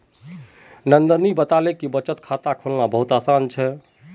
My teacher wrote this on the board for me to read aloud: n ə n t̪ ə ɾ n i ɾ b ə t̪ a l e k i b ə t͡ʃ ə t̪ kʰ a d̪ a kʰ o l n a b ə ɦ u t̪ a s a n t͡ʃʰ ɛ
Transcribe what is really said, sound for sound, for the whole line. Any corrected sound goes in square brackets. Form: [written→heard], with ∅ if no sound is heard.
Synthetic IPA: n ə n [t̪→d̪] ə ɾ n i [ɾ→∅] b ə t̪ a l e k i b ə t͡ʃ ə t̪ kʰ a [d̪→t̪] a kʰ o l n a b ə ɦ u t̪ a s a n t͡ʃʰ ɛ